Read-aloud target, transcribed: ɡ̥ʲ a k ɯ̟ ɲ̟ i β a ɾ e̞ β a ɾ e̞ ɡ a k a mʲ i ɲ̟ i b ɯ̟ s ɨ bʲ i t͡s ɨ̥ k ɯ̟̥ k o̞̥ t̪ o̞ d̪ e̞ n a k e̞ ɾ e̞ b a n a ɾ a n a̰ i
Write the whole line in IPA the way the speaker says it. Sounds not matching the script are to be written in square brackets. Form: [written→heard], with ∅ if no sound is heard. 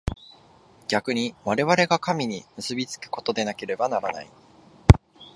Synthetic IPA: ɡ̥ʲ a k ɯ̟ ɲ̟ i β a ɾ e̞ β a ɾ e̞ ɡ a k a mʲ i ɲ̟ i [b→m] ɯ̟ s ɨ bʲ i t͡s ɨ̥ k ɯ̟̥ k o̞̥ t̪ o̞ d̪ e̞ n a k e̞ ɾ e̞ b a n a ɾ a n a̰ i